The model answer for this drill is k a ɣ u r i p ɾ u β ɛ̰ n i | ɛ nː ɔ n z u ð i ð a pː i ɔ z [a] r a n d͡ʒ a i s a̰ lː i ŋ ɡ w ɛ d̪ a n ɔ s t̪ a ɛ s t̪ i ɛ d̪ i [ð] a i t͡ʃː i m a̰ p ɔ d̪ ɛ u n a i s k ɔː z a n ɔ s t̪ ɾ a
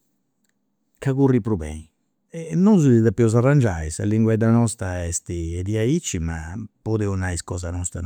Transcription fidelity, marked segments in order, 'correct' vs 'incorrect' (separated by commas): correct, incorrect